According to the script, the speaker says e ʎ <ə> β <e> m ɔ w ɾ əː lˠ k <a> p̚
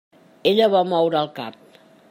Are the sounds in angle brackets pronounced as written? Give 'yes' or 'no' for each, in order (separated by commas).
yes, no, yes